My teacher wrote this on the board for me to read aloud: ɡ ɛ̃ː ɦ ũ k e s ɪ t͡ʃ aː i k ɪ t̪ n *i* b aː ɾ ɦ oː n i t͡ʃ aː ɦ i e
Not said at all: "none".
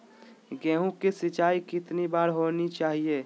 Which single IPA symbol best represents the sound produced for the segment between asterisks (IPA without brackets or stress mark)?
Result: i